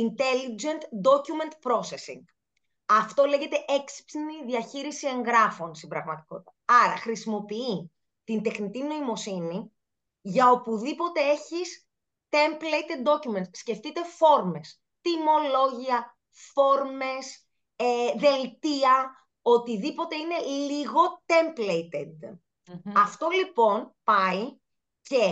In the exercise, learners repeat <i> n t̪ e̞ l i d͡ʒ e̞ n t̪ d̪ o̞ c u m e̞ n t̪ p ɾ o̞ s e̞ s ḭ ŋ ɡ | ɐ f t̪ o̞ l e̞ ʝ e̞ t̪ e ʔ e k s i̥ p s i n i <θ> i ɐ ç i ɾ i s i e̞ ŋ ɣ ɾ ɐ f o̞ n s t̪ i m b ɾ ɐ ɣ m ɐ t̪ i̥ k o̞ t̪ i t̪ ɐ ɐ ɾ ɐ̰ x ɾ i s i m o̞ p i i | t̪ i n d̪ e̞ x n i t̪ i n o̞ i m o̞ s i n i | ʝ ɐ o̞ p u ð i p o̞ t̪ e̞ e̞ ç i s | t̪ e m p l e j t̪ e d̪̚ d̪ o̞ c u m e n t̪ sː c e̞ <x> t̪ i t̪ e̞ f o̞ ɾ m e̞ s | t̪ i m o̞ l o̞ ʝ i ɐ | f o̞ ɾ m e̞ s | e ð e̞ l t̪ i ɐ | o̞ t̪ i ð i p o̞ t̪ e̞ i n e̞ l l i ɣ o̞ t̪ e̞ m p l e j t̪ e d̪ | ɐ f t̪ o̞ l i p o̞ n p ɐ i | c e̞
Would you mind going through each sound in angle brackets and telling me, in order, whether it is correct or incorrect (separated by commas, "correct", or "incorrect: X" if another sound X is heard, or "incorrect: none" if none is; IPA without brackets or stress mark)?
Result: correct, incorrect: ð, incorrect: f